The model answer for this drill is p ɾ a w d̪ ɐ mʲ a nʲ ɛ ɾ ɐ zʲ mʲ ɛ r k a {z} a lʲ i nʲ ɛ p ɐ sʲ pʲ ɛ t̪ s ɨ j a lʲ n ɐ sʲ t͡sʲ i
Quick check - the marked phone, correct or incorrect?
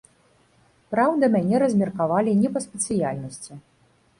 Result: incorrect